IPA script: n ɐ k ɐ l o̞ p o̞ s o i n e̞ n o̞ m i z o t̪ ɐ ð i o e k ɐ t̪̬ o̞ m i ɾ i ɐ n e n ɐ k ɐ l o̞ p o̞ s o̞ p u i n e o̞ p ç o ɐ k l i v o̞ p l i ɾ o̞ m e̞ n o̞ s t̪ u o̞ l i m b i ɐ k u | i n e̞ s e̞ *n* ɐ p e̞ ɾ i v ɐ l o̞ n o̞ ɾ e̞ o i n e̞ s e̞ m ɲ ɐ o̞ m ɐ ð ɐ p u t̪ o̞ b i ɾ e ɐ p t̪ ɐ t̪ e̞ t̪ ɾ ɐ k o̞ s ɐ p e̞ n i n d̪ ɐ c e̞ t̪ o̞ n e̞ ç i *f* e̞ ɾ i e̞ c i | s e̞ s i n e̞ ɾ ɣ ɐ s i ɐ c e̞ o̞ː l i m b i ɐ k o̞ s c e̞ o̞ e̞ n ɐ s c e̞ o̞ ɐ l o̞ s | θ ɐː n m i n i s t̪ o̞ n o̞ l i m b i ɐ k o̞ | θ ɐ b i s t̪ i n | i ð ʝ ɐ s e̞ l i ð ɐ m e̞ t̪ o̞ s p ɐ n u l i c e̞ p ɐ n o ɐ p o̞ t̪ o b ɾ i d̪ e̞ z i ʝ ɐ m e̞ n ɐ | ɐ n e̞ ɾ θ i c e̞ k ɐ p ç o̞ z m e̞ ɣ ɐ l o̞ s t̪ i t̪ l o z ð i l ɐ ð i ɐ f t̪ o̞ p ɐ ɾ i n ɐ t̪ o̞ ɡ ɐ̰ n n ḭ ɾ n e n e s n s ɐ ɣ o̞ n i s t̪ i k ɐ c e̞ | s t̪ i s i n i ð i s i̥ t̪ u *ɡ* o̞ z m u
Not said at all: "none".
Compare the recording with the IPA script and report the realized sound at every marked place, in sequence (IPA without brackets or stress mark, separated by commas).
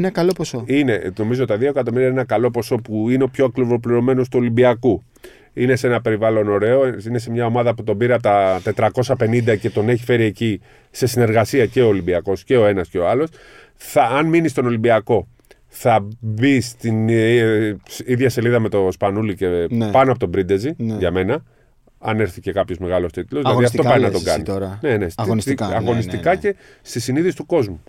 n, f, k